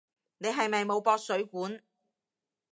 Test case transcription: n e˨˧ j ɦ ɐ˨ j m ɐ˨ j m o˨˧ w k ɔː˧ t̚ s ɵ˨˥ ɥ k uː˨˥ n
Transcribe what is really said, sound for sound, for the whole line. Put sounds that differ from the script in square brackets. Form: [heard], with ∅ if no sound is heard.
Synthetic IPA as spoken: n e˨˧ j ɦ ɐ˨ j m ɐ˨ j m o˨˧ w [p] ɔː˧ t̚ s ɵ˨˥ ɥ k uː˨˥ n